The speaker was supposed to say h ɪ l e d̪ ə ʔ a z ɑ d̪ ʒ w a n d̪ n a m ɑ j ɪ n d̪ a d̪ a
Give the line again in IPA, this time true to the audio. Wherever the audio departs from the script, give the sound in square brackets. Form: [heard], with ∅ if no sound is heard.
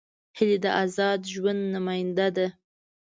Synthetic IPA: h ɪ l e d̪ ə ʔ a z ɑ d̪ ʒ w a n d̪ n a m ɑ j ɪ n d̪ a d̪ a